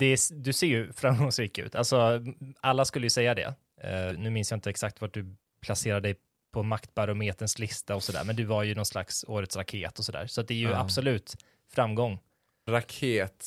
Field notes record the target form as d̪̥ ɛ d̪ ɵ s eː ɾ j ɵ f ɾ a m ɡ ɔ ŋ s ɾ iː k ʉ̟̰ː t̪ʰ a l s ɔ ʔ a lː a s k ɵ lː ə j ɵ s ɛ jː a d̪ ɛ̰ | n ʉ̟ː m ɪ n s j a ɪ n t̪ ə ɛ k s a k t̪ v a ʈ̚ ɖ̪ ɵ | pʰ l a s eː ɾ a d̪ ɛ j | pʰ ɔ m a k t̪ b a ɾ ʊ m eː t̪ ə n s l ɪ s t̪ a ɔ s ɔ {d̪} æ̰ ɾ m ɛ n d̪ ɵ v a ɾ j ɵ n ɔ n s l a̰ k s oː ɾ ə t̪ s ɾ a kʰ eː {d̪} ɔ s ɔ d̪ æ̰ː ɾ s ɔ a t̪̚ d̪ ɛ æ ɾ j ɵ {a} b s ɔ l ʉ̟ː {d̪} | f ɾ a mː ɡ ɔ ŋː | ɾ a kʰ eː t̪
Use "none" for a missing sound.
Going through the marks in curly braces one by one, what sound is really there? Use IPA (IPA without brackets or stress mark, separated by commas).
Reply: d̪, t̪, a, t̪